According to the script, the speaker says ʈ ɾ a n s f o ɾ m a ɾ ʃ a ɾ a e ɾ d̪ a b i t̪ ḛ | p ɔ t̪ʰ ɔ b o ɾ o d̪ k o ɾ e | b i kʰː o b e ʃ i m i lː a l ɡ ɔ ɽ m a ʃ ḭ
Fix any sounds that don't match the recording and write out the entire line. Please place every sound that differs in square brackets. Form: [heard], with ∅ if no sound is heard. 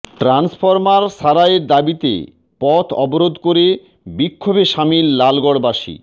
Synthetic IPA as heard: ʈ ɾ a n s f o ɾ m a ɾ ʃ a ɾ a e ɾ d̪ a b i t̪ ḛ | p ɔ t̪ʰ ɔ b o ɾ o d̪ k o ɾ e | b i kʰː o b e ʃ [a] m i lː a l ɡ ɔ ɽ [b] a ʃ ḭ